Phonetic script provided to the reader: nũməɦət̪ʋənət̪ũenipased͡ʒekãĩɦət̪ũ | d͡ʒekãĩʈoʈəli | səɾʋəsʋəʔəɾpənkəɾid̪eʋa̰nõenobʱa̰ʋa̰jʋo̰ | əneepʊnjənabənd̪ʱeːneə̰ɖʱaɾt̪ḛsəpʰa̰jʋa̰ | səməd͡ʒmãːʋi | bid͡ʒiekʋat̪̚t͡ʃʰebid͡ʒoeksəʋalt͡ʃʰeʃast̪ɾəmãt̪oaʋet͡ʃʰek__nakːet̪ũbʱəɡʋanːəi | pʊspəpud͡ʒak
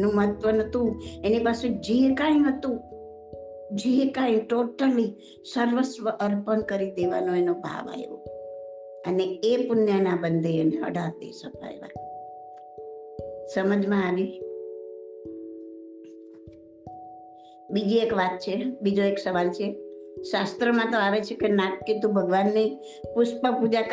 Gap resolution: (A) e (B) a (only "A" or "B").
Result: A